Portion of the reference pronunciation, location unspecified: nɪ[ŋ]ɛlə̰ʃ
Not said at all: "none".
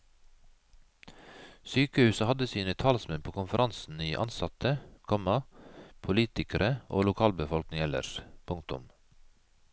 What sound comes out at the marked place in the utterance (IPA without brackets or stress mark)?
ŋ